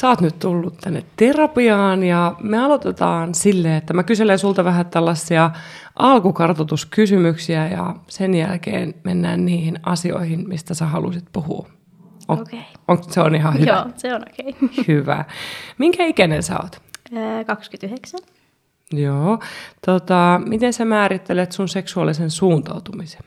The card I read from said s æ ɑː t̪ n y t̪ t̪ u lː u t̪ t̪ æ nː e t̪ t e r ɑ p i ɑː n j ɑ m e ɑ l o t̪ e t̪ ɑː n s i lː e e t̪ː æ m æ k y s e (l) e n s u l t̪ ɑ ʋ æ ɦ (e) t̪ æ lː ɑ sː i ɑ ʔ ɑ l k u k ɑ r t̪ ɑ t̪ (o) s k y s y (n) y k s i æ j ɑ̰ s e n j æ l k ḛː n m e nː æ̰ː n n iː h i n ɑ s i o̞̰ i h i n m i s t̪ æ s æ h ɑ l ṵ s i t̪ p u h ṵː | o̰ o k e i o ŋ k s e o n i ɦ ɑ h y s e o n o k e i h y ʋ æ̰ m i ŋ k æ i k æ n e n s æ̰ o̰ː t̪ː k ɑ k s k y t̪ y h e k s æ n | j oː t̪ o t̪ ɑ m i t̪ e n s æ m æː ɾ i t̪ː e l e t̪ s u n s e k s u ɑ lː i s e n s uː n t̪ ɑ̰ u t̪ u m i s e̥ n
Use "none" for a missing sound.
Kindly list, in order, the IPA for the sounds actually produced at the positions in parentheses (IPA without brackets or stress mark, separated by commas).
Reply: l, æ, u, m